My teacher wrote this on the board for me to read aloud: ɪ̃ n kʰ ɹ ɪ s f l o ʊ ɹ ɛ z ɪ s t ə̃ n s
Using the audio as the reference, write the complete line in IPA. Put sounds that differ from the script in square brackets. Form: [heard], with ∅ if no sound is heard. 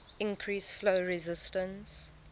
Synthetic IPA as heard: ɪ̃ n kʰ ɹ [i] s f l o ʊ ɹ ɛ z ɪ s t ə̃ n s